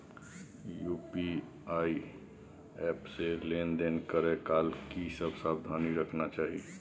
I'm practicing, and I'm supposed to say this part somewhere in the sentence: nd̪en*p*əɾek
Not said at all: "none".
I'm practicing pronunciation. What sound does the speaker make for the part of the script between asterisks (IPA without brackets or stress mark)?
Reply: k